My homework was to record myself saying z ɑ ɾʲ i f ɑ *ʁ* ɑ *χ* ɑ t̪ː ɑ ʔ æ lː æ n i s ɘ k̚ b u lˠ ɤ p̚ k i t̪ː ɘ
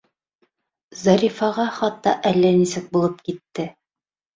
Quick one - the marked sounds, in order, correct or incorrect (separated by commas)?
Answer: correct, correct